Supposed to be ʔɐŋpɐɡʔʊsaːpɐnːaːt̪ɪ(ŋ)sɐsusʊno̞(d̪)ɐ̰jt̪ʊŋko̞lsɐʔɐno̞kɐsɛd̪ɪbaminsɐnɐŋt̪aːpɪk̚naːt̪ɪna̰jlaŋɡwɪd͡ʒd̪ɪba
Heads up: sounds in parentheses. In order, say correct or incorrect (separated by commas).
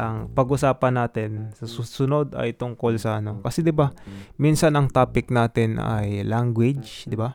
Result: incorrect, correct